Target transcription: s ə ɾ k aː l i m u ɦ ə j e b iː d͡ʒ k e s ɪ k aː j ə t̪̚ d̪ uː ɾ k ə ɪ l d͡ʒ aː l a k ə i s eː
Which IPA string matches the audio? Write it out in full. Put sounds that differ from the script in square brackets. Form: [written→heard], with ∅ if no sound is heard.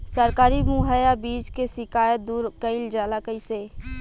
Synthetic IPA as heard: s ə ɾ k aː [l→ɾ] i m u ɦ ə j [e→a] b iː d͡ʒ k e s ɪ k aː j ə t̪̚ d̪ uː ɾ k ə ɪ l d͡ʒ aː l a k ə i s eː